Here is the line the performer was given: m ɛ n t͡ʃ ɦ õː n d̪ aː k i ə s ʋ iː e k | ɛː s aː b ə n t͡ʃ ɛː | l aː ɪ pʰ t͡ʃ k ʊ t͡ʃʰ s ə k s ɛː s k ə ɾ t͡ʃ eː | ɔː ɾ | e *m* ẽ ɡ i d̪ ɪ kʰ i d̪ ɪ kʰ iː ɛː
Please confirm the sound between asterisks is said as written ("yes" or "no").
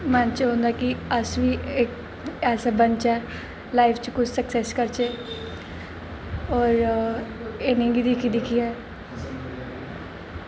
no